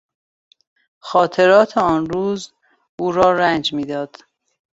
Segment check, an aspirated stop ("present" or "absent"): present